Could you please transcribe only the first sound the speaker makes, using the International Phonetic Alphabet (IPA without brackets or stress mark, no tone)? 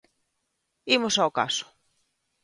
i